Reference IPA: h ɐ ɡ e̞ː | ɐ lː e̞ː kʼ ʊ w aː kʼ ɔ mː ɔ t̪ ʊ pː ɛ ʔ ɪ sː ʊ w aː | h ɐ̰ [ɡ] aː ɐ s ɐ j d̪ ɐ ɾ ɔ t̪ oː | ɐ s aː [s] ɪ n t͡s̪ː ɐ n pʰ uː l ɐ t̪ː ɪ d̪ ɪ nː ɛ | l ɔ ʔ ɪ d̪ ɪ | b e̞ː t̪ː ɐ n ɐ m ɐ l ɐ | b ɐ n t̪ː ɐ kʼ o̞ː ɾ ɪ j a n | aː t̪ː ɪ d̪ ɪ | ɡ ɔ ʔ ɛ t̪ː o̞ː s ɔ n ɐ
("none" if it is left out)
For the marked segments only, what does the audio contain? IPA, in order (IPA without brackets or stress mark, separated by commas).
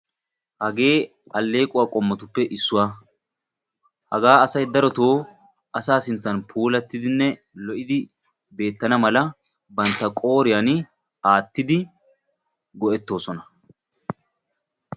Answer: ɡ, s